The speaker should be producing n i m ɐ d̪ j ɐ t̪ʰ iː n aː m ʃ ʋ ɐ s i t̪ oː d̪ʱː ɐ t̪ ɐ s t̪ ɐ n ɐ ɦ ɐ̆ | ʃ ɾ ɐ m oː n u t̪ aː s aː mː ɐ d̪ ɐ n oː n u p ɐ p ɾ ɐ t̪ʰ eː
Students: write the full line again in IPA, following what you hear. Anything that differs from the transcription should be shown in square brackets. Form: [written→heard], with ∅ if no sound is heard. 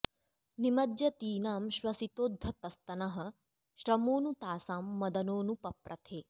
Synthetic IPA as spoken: n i m ɐ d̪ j ɐ [t̪ʰ→t̪] iː n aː m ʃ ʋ ɐ s i t̪ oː d̪ʱː ɐ t̪ ɐ s t̪ ɐ n ɐ ɦ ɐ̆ | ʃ ɾ ɐ m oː n u t̪ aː s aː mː ɐ d̪ ɐ n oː n u p ɐ p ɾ ɐ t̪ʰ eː